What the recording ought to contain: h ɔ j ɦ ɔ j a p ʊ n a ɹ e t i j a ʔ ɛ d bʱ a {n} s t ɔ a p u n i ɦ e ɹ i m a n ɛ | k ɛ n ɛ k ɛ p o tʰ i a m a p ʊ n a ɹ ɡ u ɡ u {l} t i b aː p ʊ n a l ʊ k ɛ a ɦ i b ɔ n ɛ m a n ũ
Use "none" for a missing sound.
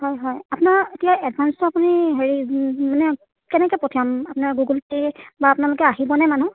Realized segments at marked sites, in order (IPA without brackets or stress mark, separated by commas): n, l